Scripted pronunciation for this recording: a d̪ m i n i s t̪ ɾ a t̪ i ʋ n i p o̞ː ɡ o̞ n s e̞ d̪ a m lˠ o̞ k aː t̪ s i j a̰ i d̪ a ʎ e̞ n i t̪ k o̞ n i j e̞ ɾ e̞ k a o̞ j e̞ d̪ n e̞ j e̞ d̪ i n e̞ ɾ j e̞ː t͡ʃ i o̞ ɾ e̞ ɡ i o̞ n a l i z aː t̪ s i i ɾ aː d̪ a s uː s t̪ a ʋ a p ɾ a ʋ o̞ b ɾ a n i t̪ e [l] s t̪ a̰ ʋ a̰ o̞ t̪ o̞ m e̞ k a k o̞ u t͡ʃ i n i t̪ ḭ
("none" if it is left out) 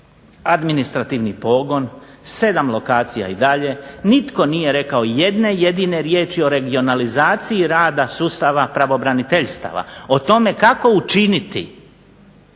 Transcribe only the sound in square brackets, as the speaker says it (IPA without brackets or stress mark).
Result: ʎ